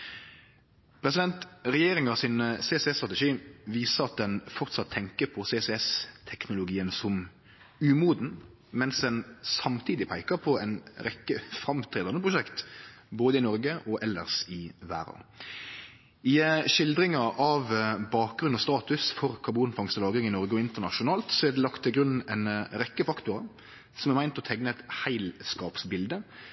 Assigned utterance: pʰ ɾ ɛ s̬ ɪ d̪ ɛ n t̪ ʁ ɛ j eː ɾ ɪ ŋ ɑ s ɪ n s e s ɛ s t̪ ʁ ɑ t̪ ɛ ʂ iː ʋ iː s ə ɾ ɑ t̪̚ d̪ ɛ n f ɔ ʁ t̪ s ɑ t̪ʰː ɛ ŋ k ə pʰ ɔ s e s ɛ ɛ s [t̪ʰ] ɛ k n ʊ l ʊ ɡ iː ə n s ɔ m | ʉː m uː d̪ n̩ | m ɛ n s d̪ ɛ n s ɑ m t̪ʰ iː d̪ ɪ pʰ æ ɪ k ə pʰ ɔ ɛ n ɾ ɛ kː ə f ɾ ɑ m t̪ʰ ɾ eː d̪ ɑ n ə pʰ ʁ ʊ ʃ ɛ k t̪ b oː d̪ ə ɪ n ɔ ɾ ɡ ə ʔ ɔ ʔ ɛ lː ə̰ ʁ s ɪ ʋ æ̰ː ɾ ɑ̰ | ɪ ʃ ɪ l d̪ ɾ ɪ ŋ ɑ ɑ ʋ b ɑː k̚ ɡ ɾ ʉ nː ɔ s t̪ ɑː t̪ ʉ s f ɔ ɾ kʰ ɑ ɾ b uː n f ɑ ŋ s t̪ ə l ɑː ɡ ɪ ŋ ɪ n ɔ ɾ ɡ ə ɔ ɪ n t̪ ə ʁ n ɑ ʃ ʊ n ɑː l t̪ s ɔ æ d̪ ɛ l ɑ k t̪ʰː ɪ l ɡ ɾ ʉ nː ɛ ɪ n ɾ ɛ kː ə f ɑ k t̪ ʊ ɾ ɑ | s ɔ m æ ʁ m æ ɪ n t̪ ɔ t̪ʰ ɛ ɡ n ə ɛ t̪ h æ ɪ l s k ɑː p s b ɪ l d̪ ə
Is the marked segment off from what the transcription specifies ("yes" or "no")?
no